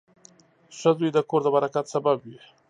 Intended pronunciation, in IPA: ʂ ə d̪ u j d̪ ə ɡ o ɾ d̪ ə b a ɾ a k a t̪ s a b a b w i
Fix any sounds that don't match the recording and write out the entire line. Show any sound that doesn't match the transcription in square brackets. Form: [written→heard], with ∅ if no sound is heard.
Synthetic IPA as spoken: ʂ ə d̪ u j d̪ ə [ɡ→k] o ɾ d̪ ə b a ɾ a k a t̪ s a b a b w i

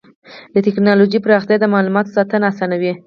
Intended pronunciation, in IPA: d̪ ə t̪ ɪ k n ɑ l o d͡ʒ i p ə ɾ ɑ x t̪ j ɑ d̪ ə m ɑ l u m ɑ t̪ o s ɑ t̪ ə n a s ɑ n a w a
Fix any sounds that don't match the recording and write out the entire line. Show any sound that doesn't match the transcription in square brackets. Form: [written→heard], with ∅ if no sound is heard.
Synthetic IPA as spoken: d̪ ə t̪ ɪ k n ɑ l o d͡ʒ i p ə ɾ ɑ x t̪ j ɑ d̪ ə m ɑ l u m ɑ t̪ o s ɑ t̪ ə n a s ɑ n a w [a→i]

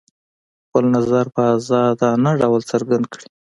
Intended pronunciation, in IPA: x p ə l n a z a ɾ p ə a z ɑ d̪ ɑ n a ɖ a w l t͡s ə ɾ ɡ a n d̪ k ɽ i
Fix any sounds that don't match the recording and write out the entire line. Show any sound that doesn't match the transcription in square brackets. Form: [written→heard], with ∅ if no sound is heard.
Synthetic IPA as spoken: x p ə l n a z a ɾ p ə a z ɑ d̪ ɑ n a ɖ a w l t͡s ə ɾ ɡ a n d̪ k ɽ i

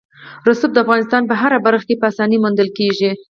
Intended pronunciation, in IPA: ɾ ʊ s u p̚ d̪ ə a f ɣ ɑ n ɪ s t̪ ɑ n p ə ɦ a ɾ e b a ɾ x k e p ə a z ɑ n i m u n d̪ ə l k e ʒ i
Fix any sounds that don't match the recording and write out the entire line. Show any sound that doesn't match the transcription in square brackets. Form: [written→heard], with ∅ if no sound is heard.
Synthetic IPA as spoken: ɾ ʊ s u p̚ d̪ ə a f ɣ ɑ n ɪ s t̪ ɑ n p ə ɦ a ɾ [e→a] b a ɾ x k e p ə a [z→s] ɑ n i m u n d̪ ə l k e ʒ i

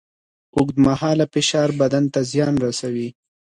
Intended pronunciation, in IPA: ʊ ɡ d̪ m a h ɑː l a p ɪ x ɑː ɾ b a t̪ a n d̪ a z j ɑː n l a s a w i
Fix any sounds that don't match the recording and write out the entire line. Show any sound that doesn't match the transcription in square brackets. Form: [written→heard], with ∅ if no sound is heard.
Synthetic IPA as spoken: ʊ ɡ d̪ m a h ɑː l a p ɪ [x→ʃ] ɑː ɾ b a [t̪→d̪] a n [d̪→t̪] a z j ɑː n [l→ɾ] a s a w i

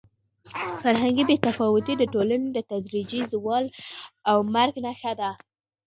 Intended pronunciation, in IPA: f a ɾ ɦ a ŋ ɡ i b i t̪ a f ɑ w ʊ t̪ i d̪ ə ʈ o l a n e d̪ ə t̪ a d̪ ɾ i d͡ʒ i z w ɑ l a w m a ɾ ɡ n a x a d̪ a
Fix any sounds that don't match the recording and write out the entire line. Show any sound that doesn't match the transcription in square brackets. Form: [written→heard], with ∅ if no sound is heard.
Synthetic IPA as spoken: f a ɾ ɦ a ŋ ɡ i b [i→e] t̪ a f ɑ w ʊ t̪ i d̪ ə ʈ o l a n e d̪ ə t̪ a d̪ ɾ i d͡ʒ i z w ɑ l a w m a ɾ ɡ n a x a d̪ a

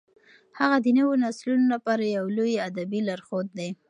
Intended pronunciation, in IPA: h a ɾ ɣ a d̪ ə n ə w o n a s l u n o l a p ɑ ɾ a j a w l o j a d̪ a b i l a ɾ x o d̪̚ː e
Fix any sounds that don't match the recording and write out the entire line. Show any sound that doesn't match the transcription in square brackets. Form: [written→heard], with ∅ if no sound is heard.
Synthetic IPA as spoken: h a [ɾ→∅] ɣ a d̪ ə n ə w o n a s l u n o l a p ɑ ɾ a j a w l o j a d̪ a b i l a ɾ x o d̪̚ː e

